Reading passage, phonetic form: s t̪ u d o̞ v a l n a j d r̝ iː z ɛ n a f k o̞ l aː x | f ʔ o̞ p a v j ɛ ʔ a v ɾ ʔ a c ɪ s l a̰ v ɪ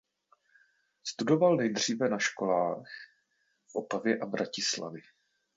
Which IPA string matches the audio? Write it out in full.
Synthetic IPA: s t̪ u d o̞ v a l n ɛ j d r̝ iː v ɛ n a ʃ k o̞ l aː x | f ʔ o̞ p a v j ɛ ʔ a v ɾ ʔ a c ɪ s l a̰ v ɪ

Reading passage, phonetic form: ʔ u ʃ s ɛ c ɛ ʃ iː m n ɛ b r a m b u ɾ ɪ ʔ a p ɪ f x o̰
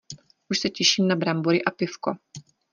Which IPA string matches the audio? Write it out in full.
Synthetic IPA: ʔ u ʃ s ɛ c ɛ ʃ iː m n a b ɾ a m b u ɾ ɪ ʔ a p ɪ f k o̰

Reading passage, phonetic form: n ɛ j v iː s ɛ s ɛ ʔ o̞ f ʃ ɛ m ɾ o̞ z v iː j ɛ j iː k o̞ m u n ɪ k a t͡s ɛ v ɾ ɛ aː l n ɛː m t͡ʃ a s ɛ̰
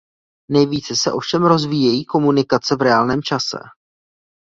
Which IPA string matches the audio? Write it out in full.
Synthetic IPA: n ɛ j v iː t͡s ɛ s ɛ ʔ o̞ f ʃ ɛ m ɾ o̞ z v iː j ɛ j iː k o̞ m u n ɪ k a t͡s ɛ v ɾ ɛ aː l n ɛː m t͡ʃ a s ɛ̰

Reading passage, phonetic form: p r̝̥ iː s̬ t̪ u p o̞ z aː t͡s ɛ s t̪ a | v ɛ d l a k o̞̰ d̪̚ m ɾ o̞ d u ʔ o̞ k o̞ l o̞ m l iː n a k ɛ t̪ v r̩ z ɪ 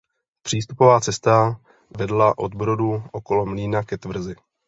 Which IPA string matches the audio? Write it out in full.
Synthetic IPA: p r̝̥ iː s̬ t̪ u p o̞ v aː t͡s ɛ s t̪ a | v ɛ d l a ʔ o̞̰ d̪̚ b ɾ o̞ d u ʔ o̞ k o̞ l o̞ m l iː n a k ɛ t̪ v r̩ z ɪ

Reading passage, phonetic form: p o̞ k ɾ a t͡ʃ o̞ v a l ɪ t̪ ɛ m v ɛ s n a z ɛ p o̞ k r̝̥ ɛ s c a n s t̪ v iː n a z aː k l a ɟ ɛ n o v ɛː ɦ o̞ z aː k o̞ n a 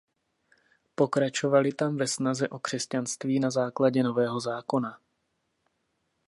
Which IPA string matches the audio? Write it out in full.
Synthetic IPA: p o̞ k ɾ a t͡ʃ o̞ v a l ɪ t̪ a m v ɛ s n a z ɛ ʔ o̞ k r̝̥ ɛ s c a n s t̪ v iː n a z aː k l a ɟ ɛ n o v ɛː ɦ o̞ z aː k o̞ n a

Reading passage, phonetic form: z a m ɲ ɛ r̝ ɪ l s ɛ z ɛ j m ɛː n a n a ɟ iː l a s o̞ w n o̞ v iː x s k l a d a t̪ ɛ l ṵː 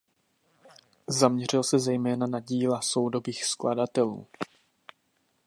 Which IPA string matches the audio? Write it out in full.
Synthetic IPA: z a m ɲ ɛ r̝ ɪ l s ɛ z ɛ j m ɛː n a n a ɟ iː l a s o̞ w d o̞ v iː x s k l a d a t̪ ɛ l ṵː

